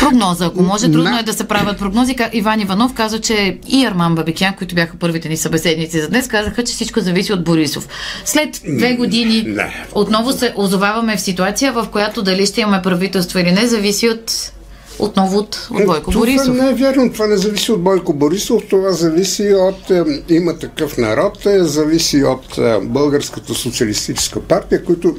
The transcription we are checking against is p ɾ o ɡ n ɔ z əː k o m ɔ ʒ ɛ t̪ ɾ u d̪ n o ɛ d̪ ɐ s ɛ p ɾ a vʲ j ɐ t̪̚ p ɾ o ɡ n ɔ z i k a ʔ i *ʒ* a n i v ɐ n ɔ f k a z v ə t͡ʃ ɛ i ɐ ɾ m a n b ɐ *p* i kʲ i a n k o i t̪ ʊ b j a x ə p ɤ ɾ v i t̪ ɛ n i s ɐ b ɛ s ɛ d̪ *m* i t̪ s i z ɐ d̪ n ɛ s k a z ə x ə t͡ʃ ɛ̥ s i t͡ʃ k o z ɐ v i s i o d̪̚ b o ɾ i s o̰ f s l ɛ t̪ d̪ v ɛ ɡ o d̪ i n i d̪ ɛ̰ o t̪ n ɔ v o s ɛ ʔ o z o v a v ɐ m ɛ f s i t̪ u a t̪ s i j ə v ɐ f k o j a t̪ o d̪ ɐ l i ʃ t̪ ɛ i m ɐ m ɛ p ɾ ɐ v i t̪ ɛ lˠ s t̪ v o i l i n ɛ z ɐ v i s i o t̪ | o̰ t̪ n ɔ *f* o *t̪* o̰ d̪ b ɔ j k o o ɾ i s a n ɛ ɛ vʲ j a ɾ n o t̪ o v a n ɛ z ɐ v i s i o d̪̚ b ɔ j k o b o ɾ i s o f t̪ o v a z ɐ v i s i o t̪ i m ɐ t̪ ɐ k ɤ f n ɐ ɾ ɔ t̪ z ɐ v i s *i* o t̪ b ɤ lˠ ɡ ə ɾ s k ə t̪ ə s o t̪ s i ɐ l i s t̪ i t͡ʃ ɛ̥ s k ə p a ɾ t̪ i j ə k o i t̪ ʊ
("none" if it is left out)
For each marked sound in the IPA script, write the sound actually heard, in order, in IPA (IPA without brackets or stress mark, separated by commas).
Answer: v, b, n, v, t̪, i